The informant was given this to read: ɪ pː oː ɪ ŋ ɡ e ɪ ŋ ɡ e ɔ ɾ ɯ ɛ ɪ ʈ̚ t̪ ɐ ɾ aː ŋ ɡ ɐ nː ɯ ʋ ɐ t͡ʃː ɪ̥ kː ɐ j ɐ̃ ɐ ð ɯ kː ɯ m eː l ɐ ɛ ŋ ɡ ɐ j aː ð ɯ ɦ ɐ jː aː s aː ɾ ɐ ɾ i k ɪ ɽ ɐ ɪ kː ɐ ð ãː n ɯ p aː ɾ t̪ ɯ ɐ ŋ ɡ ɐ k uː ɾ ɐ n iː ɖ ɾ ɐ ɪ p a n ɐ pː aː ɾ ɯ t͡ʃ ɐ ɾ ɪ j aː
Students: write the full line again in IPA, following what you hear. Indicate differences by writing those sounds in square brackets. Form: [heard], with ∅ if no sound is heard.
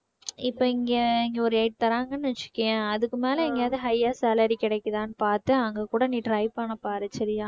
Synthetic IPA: ɪ pː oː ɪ ŋ ɡ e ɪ ŋ ɡ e ɔ ɾ ɯ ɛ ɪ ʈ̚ t̪ ɐ ɾ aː ŋ ɡ ɐ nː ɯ ʋ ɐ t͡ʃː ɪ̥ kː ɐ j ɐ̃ ɐ ð ɯ kː ɯ m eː l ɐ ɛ ŋ ɡ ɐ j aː ð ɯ ɦ ɐ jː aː s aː [l] ɐ ɾ i k ɪ ɽ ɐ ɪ kː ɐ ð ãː n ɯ p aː ɾ t̪ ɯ ɐ ŋ ɡ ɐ k uː [ɽ] ɐ n iː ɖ ɾ ɐ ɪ p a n ɐ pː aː ɾ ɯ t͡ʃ ɐ ɾ ɪ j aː